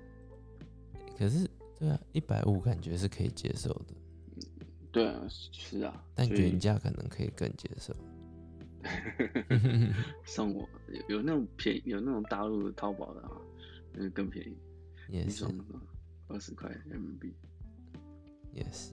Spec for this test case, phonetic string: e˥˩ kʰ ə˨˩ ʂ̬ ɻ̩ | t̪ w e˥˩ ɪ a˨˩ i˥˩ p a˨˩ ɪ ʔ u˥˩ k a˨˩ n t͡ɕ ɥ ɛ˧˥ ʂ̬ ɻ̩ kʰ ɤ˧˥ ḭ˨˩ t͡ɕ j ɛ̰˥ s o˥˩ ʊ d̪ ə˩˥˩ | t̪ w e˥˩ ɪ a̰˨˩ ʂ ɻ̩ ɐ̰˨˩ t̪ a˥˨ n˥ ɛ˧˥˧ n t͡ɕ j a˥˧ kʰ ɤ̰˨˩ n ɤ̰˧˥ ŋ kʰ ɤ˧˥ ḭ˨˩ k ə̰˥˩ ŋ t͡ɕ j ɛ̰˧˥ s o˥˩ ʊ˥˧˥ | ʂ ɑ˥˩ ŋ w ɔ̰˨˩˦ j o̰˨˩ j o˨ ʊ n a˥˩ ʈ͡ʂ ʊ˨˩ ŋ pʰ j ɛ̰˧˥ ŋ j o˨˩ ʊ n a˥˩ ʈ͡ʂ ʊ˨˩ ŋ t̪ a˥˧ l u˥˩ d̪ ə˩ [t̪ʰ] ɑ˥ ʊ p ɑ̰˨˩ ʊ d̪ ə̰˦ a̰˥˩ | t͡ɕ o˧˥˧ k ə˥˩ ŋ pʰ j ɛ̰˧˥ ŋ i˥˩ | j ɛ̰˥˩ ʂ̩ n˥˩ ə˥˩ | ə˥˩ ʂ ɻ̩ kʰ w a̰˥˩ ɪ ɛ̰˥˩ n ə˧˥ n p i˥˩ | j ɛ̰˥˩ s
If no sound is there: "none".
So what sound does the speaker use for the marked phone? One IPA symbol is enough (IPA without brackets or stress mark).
t̪ʰ